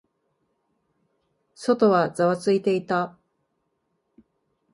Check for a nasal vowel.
absent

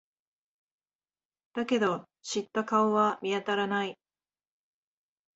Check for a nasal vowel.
absent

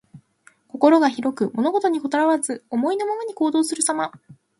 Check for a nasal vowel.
absent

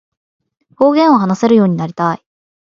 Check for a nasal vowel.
present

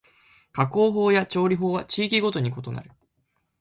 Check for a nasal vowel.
absent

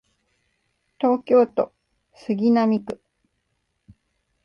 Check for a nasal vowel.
absent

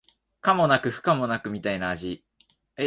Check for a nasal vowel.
absent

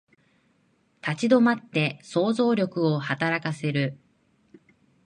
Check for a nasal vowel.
absent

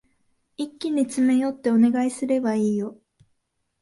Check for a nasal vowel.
absent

